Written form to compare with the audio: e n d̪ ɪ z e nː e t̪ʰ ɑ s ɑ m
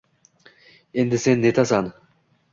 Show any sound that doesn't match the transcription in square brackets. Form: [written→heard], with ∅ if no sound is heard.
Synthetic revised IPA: e n d̪ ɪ [z→s] e nː e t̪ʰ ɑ s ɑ [m→n]